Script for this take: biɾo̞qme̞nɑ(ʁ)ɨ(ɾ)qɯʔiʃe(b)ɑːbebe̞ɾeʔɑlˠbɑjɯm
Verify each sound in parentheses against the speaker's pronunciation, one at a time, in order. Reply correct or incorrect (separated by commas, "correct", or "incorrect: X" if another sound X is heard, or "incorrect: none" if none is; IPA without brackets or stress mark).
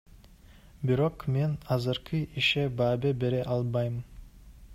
incorrect: z, correct, correct